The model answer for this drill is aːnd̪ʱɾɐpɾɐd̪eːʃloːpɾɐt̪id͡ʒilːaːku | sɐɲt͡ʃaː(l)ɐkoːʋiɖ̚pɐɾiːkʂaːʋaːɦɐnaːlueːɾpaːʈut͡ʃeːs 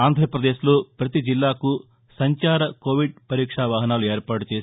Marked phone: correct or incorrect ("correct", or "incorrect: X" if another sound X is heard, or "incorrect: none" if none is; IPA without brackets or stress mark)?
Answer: incorrect: ɾ